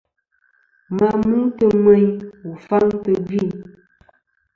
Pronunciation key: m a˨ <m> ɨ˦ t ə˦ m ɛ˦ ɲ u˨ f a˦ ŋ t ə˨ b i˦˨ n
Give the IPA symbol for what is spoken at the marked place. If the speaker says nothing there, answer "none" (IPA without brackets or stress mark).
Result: m